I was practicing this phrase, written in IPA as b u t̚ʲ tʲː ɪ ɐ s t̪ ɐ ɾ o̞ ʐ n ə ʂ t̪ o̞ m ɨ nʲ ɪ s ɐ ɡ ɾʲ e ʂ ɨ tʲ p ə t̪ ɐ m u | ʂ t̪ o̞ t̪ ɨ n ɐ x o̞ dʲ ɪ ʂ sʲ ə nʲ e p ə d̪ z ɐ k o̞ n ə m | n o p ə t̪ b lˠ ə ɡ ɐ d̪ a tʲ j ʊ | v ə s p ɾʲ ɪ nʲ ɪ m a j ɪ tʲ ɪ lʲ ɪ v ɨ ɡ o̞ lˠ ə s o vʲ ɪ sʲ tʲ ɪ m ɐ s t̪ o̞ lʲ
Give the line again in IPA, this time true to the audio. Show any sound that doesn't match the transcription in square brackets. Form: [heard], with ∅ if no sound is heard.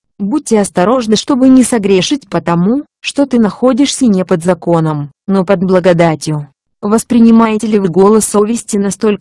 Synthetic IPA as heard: b u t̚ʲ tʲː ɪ ɐ s t̪ ɐ ɾ o̞ ʐ n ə ʂ t̪ o̞ [b] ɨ nʲ ɪ s ɐ ɡ ɾʲ e ʂ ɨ tʲ p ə t̪ ɐ m u | ʂ t̪ o̞ t̪ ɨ n ɐ x o̞ dʲ ɪ ʂ sʲ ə nʲ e p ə d̪ z ɐ k o̞ n ə m | n o p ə [d̪] b lˠ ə ɡ ɐ d̪ a tʲ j ʊ | v ə s p ɾʲ ɪ nʲ ɪ m a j ɪ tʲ ɪ lʲ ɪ v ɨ ɡ o̞ lˠ ə s o vʲ ɪ sʲ tʲ ɪ [n] ɐ s t̪ o̞ lʲ